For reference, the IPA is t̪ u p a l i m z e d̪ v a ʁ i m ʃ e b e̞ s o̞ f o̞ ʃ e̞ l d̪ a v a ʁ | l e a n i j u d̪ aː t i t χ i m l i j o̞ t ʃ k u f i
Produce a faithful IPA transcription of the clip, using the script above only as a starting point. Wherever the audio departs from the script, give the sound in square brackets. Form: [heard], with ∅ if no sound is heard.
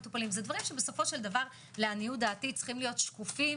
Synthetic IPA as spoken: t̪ u p a l i m z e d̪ v a ʁ i m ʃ e b e̞ s o̞ f o̞ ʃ e̞ l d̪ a v a ʁ | l e a n i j u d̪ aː t i [t͡s] χ i m l i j o̞ t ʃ k u f i